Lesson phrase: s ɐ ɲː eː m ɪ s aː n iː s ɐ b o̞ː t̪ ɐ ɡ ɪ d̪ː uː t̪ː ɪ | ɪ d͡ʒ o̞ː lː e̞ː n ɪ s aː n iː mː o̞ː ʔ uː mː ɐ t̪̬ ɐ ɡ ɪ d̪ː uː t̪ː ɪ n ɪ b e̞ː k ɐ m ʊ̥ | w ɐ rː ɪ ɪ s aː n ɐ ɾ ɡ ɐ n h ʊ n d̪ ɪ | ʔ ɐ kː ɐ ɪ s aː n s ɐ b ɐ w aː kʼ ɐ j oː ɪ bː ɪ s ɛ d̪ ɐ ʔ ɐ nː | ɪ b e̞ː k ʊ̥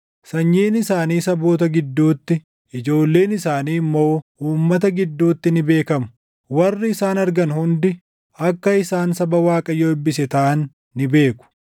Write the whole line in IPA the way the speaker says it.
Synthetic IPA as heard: s ɐ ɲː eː n ɪ s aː n iː s ɐ b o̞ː t̪ ɐ ɡ ɪ d̪ː uː t̪ː ɪ | ɪ d͡ʒ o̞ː lː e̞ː n ɪ s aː n iː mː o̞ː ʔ uː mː ɐ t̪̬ ɐ ɡ ɪ d̪ː uː t̪ː ɪ n ɪ b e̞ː k ɐ m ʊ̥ | w ɐ rː ɪ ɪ s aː n ɐ ɾ ɡ ɐ n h ʊ n d̪ ɪ | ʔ ɐ kː ɐ ɪ s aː n s ɐ b ɐ w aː kʼ ɐ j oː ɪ bː ɪ s ɛ t̪ ɐ ʔ ɐ nː | ɪ b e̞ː k ʊ̥